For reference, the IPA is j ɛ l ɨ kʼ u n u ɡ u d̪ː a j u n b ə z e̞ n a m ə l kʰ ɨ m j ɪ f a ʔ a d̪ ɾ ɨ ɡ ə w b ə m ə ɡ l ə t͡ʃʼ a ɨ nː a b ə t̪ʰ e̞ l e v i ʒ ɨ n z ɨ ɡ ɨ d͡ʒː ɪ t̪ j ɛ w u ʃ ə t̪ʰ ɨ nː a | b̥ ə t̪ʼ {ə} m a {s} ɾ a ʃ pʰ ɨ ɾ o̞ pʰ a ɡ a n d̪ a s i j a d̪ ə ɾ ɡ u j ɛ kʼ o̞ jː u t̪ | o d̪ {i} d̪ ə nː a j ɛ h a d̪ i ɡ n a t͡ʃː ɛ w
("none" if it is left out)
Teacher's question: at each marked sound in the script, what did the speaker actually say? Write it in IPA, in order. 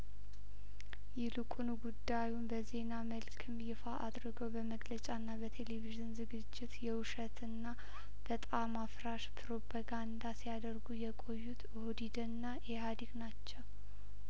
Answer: a, f, i

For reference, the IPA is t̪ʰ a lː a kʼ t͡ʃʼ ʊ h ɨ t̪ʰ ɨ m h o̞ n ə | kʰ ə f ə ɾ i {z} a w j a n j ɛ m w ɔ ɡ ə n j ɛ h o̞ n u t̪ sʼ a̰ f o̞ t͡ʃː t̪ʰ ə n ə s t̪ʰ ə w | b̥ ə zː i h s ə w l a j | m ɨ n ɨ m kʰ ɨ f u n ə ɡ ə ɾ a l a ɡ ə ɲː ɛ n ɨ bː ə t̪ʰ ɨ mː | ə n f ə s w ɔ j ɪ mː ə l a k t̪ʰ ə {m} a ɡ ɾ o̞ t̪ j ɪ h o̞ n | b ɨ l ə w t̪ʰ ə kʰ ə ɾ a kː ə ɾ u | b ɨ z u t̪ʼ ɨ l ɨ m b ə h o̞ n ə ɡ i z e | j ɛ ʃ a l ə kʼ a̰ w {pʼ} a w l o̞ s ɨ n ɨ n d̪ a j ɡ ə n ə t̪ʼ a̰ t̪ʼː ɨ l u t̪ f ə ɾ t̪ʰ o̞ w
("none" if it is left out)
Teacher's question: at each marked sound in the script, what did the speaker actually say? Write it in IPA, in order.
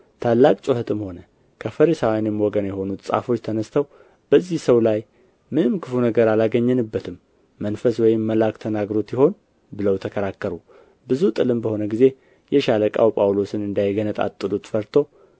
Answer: s, n, pʼ

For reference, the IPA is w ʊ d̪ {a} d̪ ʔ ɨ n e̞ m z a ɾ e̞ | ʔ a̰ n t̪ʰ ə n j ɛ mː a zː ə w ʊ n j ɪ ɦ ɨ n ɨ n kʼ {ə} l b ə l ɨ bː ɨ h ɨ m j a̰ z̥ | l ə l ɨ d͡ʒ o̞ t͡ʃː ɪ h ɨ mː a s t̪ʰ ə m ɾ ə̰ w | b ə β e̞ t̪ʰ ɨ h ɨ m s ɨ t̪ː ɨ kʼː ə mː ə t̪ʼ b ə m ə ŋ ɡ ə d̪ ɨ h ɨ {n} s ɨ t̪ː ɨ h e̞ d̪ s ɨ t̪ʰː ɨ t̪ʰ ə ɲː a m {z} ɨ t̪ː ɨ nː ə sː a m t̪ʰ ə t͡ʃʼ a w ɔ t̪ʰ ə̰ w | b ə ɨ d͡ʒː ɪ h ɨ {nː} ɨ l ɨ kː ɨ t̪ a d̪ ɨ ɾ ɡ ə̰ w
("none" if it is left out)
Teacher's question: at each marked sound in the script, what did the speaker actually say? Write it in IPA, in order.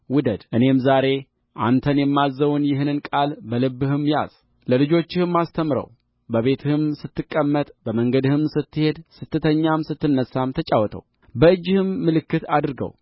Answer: ə, a, m, s, mː

